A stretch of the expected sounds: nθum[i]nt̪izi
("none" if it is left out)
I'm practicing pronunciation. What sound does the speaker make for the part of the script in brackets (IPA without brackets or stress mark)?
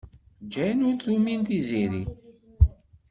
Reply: i